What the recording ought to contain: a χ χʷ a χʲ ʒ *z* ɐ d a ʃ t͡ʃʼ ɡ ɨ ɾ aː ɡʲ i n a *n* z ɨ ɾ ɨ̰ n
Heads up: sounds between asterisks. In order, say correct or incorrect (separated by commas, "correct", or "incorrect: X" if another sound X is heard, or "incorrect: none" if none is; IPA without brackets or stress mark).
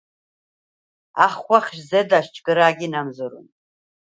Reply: correct, incorrect: m